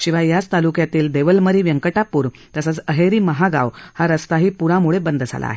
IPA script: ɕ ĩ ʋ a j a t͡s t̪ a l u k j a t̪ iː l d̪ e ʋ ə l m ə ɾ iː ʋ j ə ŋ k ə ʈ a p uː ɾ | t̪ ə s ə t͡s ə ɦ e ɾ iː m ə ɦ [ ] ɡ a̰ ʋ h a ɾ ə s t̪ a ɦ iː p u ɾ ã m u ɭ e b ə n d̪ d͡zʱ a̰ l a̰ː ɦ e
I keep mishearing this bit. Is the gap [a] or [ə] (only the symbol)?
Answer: a